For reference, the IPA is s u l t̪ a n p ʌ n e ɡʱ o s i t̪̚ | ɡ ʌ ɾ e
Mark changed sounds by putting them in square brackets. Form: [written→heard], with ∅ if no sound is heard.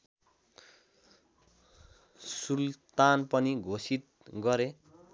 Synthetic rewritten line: s u l t̪ a n p ʌ n [e→i] ɡʱ o s i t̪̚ | ɡ ʌ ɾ e

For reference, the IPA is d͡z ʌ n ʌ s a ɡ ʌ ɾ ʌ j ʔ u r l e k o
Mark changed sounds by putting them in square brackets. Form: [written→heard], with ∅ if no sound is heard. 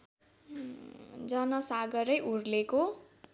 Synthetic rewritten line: d͡z ʌ n ʌ s a ɡ ʌ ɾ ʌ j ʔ u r l e k o

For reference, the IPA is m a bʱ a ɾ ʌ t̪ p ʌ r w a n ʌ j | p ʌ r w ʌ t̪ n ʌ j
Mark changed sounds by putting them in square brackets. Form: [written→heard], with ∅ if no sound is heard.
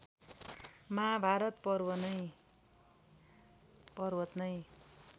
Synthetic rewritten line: m a bʱ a ɾ ʌ t̪ p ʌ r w [a→ʌ] n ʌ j | p ʌ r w ʌ t̪ n ʌ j

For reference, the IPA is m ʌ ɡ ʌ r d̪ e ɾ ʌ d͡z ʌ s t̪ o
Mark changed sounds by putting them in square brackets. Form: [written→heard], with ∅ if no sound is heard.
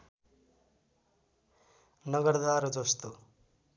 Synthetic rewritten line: [m→n] ʌ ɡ ʌ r d̪ [e→a] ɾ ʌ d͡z ʌ s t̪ o

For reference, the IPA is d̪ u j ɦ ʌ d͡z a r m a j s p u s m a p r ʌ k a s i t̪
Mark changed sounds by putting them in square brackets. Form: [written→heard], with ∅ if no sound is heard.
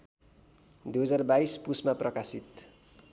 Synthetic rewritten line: d̪ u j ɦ ʌ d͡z a r [m→b] a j s p u s m a p r ʌ k a s i t̪

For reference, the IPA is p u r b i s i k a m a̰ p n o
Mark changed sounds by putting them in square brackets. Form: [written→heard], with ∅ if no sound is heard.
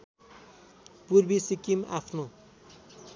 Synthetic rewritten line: p u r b i s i k [a→i] m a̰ [p→pʰ] n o

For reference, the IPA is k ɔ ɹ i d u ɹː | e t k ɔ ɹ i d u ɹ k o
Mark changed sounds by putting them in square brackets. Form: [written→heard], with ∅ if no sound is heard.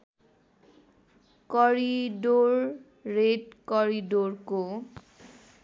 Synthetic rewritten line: k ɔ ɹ i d [u→o] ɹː | e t k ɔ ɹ i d [u→o] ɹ k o

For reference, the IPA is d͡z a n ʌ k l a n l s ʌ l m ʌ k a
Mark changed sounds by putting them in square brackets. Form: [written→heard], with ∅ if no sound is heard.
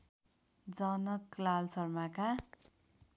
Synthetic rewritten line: d͡z [a→ʌ] n ʌ k l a [n→∅] l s ʌ [l→r] m [ʌ→a] k a

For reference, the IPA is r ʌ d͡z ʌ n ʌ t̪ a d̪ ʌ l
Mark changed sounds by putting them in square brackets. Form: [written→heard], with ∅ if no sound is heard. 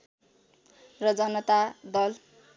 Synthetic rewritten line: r ʌ d͡z ʌ n ʌ t̪ a d̪ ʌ l

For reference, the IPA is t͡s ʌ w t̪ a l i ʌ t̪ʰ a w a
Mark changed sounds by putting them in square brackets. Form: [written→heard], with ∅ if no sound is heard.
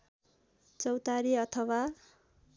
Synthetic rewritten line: t͡s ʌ w t̪ a [l→ɾ] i ʌ t̪ʰ [a→ʌ] w a

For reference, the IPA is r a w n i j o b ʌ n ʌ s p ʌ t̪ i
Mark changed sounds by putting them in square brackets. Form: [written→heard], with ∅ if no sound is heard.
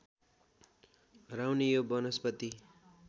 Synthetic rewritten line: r a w n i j o b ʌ n ʌ s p ʌ t̪ i

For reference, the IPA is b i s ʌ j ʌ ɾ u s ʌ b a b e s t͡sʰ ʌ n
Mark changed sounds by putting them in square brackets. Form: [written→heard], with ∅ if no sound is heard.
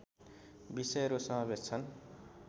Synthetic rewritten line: b i s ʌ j ʌ ɾ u s ʌ [b→m] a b e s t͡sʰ ʌ n

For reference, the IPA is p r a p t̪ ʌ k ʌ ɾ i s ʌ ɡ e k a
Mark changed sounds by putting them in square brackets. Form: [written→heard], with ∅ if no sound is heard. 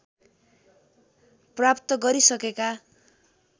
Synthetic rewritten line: p r a p t̪ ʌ [k→ɡ] ʌ ɾ i s ʌ [ɡ→k] e k a

